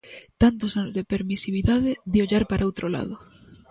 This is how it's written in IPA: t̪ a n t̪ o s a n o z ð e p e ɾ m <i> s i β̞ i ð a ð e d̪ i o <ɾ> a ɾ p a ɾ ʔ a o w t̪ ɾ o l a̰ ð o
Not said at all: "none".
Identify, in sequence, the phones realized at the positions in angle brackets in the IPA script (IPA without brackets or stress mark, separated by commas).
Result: i, ʎ